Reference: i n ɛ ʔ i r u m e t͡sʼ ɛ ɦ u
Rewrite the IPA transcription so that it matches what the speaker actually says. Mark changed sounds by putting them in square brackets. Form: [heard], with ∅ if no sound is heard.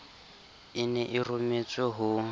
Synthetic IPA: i n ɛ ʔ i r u m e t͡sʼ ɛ ɦ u